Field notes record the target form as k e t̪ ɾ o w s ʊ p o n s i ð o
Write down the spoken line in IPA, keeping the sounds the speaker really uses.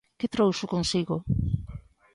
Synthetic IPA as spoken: k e t̪ ɾ o w s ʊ k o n s i ɣ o